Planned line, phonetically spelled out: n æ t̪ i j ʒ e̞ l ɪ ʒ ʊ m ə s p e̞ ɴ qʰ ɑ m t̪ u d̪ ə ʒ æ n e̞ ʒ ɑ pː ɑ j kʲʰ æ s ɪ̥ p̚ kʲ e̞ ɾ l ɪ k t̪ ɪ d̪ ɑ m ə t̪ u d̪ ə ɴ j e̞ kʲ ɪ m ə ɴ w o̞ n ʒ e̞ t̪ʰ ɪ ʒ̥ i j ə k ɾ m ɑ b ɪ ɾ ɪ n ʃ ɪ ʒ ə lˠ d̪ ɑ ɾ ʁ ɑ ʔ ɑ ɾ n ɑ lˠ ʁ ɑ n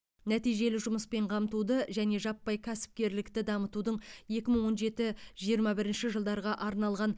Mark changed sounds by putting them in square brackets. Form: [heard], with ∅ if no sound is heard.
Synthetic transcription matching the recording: n æ t̪ i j ʒ e̞ l ɪ ʒ ʊ m ə s p e̞ ɴ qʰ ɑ m t̪ u d̪ ə ʒ æ n e̞ ʒ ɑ pː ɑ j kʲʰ æ s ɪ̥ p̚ kʲ e̞ ɾ l ɪ k t̪ ɪ d̪ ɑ m ə t̪ u d̪ ə ɴ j e̞ kʲ ɪ m ə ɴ w o̞ n ʒ e̞ [t̪] ɪ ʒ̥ i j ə [∅] ɾ m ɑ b ɪ ɾ ɪ n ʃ ɪ ʒ ə lˠ d̪ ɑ ɾ ʁ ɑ ʔ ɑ ɾ n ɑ lˠ ʁ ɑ n